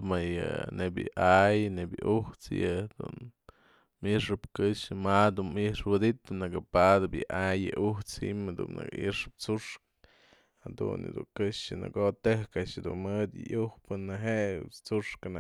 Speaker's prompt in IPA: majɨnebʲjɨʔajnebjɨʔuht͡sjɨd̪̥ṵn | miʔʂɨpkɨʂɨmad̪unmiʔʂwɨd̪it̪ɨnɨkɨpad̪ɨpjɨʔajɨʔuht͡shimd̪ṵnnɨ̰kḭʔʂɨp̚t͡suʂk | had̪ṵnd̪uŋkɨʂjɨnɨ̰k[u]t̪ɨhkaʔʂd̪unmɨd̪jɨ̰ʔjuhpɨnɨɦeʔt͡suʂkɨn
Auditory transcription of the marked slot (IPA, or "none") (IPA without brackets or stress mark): o